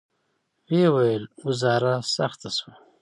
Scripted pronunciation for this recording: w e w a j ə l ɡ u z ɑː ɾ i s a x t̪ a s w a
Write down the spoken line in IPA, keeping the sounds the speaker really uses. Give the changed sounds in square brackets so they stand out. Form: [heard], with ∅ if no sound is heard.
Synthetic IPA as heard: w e w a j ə l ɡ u z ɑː ɾ [a] s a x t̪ a s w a